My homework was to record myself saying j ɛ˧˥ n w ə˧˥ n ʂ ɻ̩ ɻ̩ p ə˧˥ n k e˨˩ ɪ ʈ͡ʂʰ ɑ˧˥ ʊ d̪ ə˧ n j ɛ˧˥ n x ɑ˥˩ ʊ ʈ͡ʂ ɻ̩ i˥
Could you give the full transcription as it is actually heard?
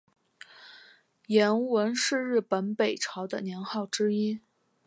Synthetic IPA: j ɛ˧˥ n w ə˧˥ n ʂ ɻ̩ ɻ̩ p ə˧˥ n p e˨˩ ɪ ʈ͡ʂʰ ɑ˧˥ ʊ d̪ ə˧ n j ɛ˧˥ n x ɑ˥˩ ʊ ʈ͡ʂ ɻ̩ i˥